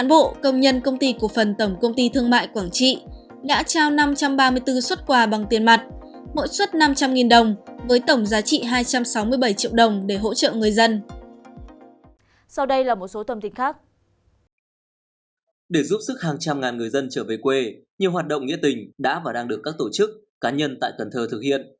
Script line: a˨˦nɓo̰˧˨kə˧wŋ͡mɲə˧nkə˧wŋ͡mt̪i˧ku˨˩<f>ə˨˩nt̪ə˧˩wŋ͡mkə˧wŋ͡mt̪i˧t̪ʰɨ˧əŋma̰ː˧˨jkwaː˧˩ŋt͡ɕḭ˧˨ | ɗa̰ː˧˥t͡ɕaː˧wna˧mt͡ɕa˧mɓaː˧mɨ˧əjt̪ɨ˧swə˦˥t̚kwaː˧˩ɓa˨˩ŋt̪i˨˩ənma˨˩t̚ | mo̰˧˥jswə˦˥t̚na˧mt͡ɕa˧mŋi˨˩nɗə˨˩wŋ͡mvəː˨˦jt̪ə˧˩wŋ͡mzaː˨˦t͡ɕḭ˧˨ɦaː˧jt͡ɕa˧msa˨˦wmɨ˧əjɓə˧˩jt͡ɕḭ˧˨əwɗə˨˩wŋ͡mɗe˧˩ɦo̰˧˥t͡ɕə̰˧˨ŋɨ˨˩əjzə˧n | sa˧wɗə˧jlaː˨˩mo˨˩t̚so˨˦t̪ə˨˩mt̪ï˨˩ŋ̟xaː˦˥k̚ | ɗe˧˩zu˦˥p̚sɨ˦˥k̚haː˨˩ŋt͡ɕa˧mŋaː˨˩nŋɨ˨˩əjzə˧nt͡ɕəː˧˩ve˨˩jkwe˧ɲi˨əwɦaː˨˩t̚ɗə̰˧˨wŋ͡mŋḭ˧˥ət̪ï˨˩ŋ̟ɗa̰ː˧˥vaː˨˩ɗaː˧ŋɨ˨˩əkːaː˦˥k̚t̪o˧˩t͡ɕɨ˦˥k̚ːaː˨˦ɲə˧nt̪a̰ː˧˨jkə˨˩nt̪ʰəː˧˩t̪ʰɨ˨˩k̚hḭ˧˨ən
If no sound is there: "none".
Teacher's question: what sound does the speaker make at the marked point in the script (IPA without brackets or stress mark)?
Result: f